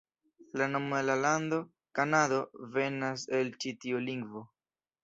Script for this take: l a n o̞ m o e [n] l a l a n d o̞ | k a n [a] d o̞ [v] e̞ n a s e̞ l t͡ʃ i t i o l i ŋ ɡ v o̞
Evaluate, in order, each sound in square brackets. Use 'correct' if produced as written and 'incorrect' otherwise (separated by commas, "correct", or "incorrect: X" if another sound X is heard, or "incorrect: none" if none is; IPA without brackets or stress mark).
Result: incorrect: none, correct, correct